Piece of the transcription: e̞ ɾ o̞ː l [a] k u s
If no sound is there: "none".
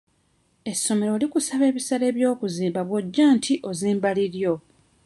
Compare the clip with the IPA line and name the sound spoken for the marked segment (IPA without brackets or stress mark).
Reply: i